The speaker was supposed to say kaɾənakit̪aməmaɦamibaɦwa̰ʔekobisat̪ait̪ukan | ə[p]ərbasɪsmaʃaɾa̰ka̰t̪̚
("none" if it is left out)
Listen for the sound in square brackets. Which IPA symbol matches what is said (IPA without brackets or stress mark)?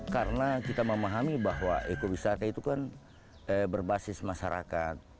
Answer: b